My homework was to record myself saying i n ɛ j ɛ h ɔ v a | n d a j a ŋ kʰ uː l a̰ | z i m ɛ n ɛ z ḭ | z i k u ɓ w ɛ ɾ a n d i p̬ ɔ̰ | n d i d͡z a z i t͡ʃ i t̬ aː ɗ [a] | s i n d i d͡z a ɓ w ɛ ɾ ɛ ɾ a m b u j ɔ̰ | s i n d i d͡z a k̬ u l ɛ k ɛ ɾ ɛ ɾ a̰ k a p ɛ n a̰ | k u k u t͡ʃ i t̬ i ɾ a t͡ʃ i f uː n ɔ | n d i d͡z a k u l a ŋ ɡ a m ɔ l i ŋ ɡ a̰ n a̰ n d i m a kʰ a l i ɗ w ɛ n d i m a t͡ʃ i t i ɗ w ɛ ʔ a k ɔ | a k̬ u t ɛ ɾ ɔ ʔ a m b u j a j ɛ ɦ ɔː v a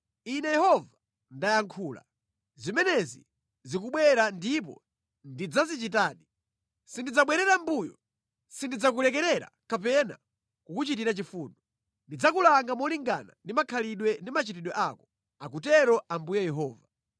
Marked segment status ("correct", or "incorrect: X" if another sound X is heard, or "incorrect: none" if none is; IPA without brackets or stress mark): incorrect: i